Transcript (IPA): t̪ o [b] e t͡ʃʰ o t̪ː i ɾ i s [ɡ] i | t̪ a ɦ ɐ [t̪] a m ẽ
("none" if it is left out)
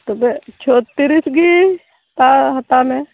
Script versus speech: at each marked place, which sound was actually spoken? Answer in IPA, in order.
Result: b, ɡ, t̪

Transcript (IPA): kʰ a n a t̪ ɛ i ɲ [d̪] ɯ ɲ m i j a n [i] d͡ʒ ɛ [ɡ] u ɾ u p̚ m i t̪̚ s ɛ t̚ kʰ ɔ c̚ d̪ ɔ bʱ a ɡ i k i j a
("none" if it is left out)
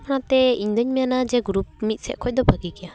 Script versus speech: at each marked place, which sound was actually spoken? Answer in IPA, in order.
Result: d̪, a, ɡ

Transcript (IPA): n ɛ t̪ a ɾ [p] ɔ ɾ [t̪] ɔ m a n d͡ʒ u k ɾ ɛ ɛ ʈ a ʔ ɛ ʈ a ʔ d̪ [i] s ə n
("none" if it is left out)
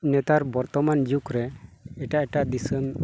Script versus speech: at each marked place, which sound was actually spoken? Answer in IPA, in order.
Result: b, t̪, i

